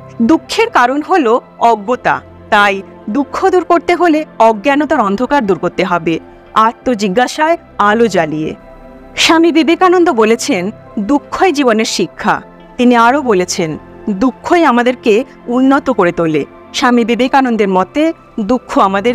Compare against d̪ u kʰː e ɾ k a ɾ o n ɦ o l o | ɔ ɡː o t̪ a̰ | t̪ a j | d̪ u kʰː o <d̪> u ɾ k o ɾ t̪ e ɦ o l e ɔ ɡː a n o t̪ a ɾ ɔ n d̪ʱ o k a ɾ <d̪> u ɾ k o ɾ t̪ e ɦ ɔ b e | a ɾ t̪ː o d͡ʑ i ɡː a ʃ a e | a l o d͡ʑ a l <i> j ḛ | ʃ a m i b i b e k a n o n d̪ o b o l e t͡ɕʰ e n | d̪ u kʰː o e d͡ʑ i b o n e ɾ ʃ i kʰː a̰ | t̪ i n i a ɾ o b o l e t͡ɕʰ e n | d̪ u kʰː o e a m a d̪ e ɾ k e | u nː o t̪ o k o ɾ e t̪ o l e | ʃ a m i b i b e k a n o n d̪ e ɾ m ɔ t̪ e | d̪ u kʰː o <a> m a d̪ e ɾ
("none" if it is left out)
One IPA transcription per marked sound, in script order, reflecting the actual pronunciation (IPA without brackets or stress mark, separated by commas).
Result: d̪, d̪, i, a